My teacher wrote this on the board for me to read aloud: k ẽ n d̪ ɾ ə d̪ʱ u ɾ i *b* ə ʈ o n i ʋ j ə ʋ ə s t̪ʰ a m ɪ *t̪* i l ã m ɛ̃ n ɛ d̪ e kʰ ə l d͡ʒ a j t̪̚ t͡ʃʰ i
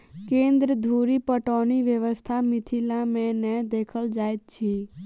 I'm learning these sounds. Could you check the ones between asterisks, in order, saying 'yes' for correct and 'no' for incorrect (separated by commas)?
no, no